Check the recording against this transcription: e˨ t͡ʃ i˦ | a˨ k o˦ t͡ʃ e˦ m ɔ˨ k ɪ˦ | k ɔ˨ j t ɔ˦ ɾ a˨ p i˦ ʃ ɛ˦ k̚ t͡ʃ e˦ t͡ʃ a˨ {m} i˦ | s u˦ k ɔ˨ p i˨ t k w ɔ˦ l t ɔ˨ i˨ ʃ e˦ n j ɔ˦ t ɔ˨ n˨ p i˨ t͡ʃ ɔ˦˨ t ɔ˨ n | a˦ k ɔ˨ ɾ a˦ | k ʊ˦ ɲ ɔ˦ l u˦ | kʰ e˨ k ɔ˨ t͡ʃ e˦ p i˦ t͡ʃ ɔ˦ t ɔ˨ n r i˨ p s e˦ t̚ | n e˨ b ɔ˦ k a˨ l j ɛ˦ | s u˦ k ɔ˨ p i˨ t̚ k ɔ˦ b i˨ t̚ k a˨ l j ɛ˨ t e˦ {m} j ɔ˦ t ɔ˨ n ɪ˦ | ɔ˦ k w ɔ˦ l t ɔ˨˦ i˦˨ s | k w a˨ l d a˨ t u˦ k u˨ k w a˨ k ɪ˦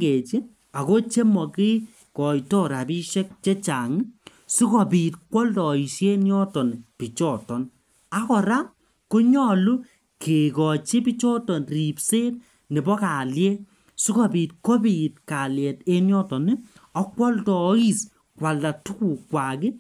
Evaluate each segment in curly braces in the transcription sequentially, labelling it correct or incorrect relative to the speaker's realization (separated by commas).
incorrect, incorrect